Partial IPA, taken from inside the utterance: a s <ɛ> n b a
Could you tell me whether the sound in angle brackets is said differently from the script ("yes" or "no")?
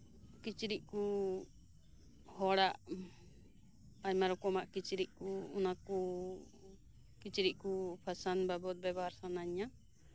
yes